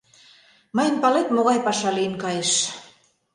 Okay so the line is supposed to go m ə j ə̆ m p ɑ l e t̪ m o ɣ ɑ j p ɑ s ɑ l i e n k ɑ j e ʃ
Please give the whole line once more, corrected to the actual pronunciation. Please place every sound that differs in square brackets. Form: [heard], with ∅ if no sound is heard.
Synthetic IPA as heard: m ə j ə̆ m p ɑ l e t̪ m o ɣ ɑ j p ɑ [ʃ] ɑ l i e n k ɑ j e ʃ